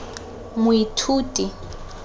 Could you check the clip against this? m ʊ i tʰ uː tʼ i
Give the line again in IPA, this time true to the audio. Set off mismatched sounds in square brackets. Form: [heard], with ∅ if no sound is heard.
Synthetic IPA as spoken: m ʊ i tʰ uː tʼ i